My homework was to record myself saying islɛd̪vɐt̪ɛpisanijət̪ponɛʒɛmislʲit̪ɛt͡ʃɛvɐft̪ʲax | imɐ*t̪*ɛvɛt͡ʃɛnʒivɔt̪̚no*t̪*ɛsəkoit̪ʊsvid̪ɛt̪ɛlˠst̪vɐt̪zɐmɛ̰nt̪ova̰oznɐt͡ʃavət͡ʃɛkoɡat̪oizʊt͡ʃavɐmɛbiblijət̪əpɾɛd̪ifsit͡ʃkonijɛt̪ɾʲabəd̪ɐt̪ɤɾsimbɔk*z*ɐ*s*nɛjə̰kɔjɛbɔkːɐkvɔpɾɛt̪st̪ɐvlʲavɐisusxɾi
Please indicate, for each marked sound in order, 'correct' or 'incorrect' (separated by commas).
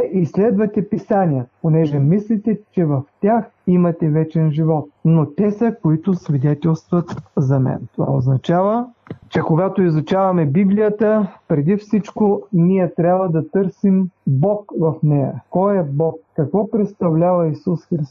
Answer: correct, correct, incorrect, incorrect